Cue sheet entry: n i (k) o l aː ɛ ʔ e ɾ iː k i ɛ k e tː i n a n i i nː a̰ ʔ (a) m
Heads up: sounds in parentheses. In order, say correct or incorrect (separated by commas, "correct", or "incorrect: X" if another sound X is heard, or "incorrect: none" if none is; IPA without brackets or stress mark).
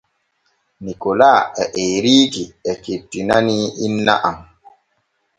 correct, correct